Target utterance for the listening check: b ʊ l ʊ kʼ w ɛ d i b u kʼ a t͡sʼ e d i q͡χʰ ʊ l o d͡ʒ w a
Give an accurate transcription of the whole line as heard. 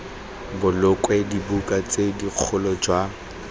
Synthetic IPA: b ʊ l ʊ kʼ w ɛ d i b u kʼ a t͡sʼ e d i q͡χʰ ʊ l ɔ d͡ʒ w a